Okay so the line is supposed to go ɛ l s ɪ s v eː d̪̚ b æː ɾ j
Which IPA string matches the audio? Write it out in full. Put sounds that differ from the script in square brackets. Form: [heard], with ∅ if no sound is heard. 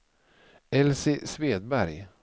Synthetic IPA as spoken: ɛ l s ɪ s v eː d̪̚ b [æ] ɾ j